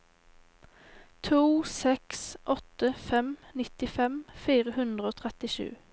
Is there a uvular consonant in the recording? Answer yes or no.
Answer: yes